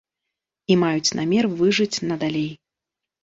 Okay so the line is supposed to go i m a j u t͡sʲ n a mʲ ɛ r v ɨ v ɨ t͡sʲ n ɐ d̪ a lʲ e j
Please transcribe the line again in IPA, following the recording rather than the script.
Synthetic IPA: i m a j u t͡sʲ n a mʲ ɛ r v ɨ ʐ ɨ t͡sʲ n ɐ d̪ a lʲ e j